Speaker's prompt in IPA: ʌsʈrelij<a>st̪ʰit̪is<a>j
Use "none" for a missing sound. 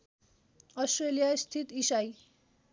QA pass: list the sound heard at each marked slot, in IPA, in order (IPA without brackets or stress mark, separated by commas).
a, a